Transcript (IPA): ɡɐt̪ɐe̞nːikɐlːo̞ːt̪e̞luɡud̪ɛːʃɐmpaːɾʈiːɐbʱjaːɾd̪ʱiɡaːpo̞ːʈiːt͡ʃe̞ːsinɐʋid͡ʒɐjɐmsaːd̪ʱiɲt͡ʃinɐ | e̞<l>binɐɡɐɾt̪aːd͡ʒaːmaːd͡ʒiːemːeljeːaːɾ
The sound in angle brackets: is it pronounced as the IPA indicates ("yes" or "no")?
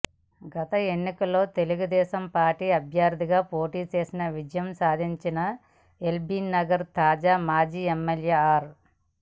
yes